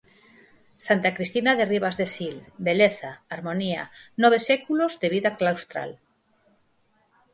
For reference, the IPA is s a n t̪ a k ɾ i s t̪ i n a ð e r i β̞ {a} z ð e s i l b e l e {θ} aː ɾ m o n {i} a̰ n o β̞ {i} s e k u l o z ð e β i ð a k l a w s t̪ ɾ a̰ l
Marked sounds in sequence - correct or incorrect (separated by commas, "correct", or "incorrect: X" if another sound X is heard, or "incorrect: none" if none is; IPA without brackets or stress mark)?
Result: correct, correct, correct, incorrect: e